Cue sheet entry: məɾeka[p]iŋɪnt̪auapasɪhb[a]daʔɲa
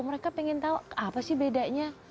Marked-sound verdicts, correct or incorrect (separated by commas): correct, incorrect